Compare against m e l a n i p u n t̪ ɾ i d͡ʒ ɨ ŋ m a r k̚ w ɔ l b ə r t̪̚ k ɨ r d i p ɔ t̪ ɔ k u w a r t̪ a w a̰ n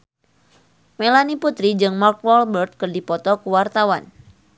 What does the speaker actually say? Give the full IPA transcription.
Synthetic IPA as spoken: m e l a n i p u t̪ ɾ i d͡ʒ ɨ ŋ m a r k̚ w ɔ l b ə r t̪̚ k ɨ r d i p ɔ t̪ ɔ k u w a r t̪ a w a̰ n